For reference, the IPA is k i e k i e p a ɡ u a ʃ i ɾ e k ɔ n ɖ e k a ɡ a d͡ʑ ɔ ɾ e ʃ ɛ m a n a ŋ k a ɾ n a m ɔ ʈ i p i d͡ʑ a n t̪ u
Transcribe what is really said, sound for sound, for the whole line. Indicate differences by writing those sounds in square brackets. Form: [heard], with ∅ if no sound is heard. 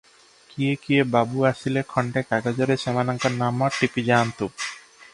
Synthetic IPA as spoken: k i e k i e [b] a [b] u a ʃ i [l] e [kʰ] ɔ [ɳ] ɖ e k a ɡ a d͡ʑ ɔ ɾ e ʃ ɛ m a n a ŋ k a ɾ n a m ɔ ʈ i p i d͡ʑ a n t̪ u

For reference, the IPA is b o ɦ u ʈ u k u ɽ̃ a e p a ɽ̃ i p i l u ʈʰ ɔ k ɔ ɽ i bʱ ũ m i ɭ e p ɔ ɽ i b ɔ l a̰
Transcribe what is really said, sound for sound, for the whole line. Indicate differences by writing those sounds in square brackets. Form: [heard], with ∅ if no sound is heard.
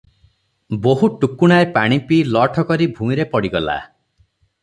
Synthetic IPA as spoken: b o ɦ u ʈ u k u ɽ̃ a e p a ɽ̃ i p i l [ɔ] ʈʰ ɔ k ɔ [ɾ] i bʱ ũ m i [ɾ] e p ɔ ɽ i [ɡ] ɔ l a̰

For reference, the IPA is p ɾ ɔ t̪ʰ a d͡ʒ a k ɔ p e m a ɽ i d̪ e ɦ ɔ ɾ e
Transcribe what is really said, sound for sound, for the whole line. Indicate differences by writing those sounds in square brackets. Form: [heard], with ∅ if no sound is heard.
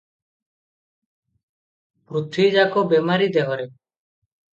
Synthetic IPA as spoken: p ɾ [u] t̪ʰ [i] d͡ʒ a k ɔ [b] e m a [ɾ] i d̪ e ɦ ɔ ɾ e

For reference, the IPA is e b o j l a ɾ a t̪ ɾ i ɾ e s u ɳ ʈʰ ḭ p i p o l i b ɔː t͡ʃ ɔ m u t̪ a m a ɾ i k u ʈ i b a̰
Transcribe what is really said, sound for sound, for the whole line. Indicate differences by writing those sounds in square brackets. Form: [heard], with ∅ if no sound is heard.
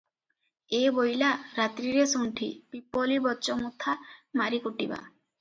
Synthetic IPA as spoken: e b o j l a ɾ a t̪ ɾ i ɾ e s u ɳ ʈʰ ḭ p i p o l i b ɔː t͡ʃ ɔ m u [t̪ʰ] a m a ɾ i k u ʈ i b a̰

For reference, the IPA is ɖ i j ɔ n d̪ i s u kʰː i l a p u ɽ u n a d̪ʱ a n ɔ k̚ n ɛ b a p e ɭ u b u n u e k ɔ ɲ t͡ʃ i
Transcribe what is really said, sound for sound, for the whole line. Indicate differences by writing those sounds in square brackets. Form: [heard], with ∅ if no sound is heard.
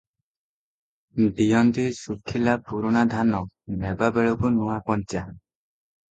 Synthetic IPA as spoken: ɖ i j ɔ n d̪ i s u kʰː i l a p u [ɾ] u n a d̪ʱ a n ɔ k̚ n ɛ b a [b] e ɭ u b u n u [a] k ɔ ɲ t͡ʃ [a]

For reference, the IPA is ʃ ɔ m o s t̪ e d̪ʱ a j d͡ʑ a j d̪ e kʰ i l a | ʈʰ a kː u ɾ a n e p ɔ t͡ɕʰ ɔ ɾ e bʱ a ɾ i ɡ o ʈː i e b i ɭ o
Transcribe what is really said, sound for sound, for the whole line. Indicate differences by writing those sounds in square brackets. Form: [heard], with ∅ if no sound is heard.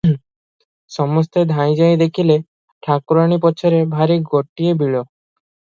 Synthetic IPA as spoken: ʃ ɔ m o s t̪ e d̪ʱ a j d͡ʑ a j d̪ e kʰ i l [e] | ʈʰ a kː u ɾ a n [i] p ɔ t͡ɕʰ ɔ ɾ e bʱ a ɾ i ɡ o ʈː i e b i ɭ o

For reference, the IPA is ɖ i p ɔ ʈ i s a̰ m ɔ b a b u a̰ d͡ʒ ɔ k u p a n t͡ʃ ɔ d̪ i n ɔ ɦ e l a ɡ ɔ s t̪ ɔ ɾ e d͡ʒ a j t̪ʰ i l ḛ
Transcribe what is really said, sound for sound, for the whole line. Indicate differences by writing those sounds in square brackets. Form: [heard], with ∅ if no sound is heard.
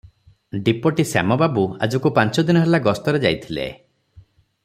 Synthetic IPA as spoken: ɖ i p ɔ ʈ i s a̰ m ɔ b a b u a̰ d͡ʒ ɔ k u p a n t͡ʃ ɔ d̪ i n ɔ ɦ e l a ɡ ɔ s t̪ ɔ ɾ e d͡ʒ a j t̪ʰ i l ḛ

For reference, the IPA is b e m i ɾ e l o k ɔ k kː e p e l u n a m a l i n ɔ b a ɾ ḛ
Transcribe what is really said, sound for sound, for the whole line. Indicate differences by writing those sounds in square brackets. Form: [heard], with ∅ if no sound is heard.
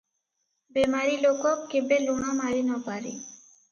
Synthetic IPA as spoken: b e m [a] ɾ [i] l o k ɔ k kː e [b] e l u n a m a [ɾ] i n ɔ [p] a ɾ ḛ

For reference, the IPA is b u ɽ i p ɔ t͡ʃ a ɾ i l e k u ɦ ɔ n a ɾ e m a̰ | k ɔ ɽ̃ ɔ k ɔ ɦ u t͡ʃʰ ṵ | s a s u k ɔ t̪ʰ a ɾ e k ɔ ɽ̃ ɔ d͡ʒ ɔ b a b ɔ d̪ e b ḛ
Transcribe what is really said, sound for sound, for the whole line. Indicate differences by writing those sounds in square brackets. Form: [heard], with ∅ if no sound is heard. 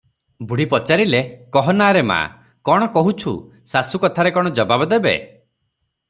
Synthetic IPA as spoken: b u ɽ i p ɔ t͡ʃ a ɾ i l e k [ɔ] ɦ ɔ n a ɾ e m a̰ | k ɔ ɽ̃ ɔ k ɔ ɦ u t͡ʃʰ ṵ | s a s u k ɔ t̪ʰ a ɾ e k ɔ ɽ̃ ɔ d͡ʒ ɔ b a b ɔ d̪ e b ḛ

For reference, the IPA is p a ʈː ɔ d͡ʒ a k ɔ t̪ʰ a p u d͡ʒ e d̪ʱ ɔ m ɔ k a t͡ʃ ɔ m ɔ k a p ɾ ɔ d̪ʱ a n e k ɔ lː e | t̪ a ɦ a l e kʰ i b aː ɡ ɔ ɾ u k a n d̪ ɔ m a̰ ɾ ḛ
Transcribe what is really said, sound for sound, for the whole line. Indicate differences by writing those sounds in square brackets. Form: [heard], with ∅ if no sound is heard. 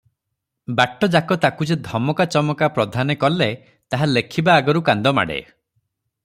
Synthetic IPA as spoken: [b] a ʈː ɔ d͡ʒ a k ɔ [t̪] a [k] u d͡ʒ e d̪ʱ ɔ m ɔ k a t͡ʃ ɔ m ɔ k a p ɾ ɔ d̪ʱ a n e k ɔ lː e | t̪ a ɦ a l e kʰ i b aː ɡ ɔ ɾ u k a n d̪ ɔ m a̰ [ɽ] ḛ

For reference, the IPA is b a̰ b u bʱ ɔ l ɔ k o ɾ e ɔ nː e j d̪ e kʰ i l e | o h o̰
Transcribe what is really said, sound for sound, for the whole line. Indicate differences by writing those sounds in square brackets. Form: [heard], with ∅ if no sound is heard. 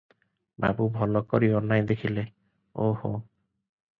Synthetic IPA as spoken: b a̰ b u bʱ ɔ l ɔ k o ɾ [i] ɔ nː [a] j d̪ e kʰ i l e | o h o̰

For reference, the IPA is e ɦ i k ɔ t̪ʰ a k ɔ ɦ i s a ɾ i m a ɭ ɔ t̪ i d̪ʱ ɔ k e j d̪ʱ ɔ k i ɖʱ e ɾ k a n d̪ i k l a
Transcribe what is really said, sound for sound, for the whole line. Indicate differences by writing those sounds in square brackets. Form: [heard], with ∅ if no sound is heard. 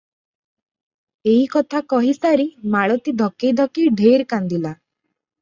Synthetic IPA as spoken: e ɦ i k ɔ t̪ʰ a k ɔ ɦ i s a ɾ i m a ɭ ɔ t̪ i d̪ʱ ɔ k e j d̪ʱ ɔ k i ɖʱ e ɾ k a n d̪ i [∅] l a

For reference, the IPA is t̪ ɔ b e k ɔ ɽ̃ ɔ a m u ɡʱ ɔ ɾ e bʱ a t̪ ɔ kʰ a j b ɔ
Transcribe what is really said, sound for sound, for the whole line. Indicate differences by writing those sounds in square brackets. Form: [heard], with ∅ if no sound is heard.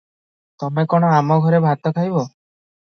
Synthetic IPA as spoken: t̪ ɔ [m] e k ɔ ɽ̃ ɔ a m [ɔ] ɡʱ ɔ ɾ e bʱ a t̪ ɔ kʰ a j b ɔ

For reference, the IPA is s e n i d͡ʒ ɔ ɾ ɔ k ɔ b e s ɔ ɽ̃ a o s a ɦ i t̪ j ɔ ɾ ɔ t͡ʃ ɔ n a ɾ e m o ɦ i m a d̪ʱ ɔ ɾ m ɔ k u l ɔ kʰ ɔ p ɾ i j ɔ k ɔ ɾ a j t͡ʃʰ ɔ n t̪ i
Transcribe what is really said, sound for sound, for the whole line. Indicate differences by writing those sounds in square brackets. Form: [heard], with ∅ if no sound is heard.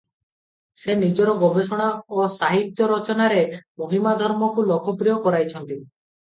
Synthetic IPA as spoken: s e n i d͡ʒ ɔ ɾ ɔ [ɡ] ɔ b e s ɔ ɽ̃ a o s a ɦ i t̪ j ɔ ɾ ɔ t͡ʃ ɔ n a ɾ e m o ɦ i m a d̪ʱ ɔ ɾ m ɔ k u l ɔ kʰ ɔ p ɾ i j ɔ k ɔ ɾ a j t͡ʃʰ ɔ n t̪ i

